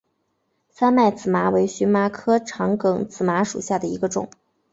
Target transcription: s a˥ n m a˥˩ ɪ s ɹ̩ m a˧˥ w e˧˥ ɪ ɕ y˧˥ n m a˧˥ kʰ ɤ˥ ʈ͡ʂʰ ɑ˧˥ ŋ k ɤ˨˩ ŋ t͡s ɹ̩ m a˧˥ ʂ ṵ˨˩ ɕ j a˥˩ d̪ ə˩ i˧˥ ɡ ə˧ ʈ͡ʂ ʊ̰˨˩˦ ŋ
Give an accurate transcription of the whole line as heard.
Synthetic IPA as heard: s a˥ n m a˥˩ ɪ t͡s ɹ̩ m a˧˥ w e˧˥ ɪ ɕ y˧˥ n m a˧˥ kʰ ɤ˥ ʈ͡ʂʰ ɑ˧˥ ŋ k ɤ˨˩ ŋ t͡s ɹ̩ m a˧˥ ʂ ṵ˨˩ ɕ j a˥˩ d̪ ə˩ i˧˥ ɡ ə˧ ʈ͡ʂ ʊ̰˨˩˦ ŋ